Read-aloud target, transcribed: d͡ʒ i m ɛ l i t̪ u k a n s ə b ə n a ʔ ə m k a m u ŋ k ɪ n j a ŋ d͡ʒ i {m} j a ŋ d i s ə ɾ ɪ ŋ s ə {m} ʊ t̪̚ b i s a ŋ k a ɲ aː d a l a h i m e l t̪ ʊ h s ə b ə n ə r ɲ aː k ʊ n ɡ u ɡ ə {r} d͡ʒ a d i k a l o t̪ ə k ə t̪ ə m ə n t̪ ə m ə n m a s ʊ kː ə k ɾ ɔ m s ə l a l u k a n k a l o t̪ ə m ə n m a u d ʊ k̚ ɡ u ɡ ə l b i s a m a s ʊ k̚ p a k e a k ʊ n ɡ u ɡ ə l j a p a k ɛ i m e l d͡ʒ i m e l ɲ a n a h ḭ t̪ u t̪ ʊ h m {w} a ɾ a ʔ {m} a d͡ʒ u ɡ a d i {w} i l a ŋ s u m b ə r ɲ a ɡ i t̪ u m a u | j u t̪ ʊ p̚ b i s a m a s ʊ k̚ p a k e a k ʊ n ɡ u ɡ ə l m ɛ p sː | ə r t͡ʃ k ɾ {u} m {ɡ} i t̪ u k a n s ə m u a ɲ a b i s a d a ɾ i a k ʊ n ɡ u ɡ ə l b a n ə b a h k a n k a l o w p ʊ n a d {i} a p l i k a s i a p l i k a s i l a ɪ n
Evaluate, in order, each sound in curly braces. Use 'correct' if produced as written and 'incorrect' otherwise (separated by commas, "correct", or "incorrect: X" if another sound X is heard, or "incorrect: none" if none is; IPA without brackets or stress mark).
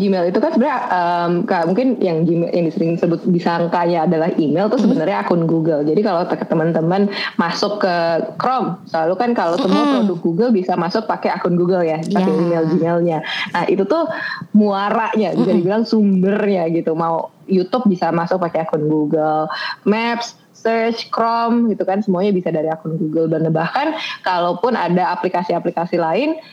correct, incorrect: b, incorrect: l, incorrect: u, incorrect: ɲ, incorrect: b, incorrect: ɔ, correct, incorrect: a